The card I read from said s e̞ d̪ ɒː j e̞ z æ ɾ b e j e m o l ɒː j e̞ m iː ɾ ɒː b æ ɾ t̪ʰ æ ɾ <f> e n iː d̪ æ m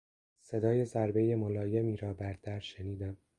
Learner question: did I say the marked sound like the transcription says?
no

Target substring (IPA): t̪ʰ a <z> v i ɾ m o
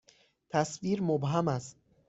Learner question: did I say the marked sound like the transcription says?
no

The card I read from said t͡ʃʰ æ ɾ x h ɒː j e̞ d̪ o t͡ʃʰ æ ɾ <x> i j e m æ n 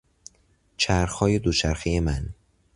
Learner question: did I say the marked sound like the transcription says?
yes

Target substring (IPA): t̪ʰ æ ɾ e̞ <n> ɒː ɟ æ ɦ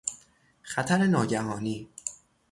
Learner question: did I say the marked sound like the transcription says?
yes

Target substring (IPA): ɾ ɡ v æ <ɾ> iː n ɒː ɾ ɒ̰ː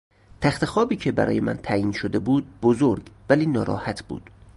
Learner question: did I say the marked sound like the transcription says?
no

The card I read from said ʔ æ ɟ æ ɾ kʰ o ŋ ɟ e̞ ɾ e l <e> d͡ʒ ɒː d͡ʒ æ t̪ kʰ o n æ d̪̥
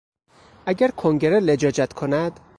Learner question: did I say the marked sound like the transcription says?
yes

